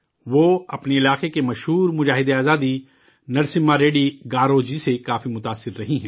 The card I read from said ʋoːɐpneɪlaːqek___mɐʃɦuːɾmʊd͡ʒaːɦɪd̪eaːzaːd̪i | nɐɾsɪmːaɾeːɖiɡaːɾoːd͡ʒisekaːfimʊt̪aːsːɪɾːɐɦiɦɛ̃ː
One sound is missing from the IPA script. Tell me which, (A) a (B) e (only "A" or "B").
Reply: B